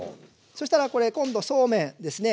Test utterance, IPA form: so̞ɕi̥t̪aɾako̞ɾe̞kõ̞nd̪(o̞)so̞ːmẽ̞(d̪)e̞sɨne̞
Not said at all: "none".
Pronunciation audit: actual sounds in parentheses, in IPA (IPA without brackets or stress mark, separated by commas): o̞, d̪